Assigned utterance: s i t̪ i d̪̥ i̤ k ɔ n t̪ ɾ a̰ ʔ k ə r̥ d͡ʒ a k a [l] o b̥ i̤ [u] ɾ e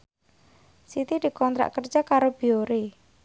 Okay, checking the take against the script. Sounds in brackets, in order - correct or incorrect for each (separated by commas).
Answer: incorrect, incorrect